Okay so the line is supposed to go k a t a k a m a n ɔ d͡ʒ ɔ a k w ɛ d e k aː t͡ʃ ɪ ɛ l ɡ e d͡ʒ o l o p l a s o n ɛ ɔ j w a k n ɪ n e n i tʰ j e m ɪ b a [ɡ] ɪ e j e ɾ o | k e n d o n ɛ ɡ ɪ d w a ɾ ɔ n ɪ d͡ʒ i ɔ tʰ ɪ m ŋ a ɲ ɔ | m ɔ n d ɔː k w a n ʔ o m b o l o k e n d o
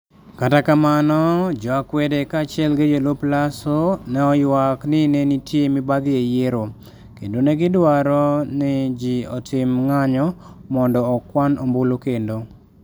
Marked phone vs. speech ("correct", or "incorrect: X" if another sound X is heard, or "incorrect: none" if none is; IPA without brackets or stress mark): correct